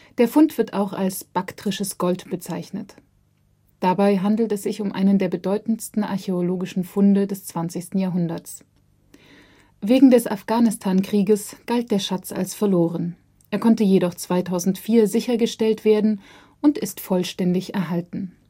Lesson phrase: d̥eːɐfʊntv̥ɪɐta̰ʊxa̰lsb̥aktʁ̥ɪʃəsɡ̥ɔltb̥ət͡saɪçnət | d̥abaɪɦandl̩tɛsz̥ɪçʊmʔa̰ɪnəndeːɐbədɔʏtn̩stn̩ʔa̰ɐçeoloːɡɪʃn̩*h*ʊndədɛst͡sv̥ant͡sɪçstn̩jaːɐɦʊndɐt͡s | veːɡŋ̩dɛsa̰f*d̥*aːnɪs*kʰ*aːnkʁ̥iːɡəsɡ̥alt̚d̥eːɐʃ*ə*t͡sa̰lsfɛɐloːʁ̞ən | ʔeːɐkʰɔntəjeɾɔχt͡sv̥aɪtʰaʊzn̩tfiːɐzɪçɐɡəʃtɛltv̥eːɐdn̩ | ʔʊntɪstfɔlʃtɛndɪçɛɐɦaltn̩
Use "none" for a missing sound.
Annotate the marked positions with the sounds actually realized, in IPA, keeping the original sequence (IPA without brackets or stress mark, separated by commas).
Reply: f, ɡ̥, tʰ, a